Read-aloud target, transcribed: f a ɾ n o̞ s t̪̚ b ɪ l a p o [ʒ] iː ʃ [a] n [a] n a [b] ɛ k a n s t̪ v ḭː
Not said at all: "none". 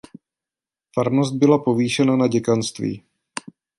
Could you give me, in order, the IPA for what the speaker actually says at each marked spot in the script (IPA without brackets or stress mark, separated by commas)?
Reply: v, ɛ, a, ɟ